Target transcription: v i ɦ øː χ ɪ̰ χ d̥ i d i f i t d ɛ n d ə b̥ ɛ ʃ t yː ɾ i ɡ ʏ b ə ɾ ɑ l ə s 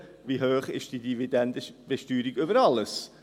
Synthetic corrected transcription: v i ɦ øː χ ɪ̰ ʃ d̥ i d i v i d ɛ n d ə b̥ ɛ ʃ t yː ɾ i ɡ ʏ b ə ɾ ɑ l ə s